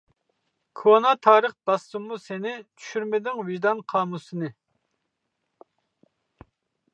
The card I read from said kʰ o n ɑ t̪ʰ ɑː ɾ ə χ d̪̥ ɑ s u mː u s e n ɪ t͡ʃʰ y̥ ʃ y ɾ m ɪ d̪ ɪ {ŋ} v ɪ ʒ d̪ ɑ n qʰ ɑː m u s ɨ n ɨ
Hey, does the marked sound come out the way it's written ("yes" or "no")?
yes